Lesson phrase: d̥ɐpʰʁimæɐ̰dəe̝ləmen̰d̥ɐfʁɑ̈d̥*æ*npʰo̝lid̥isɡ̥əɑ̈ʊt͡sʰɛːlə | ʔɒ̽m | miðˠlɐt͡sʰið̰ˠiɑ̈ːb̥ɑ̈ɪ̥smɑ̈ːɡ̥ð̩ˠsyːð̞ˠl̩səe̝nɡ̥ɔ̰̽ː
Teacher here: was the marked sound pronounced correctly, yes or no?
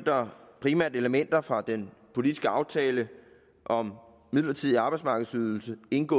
no